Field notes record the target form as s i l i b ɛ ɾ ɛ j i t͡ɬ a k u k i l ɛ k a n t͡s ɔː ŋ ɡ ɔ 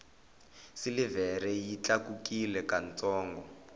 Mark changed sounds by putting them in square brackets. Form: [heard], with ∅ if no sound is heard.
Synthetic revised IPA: s i l i [v] ɛ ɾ ɛ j i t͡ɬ a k u k i l ɛ k a n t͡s ɔː ŋ ɡ ɔ